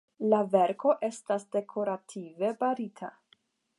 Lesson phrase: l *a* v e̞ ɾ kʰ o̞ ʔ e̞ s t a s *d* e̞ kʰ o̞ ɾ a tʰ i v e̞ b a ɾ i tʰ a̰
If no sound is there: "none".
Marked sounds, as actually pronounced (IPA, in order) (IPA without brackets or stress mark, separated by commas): a, d